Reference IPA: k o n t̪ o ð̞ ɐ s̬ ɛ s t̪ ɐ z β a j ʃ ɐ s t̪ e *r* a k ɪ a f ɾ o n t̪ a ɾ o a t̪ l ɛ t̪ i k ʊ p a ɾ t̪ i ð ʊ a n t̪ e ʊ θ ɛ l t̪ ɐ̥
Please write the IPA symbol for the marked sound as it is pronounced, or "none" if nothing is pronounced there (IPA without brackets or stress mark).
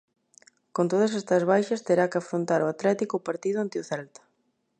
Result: ɾ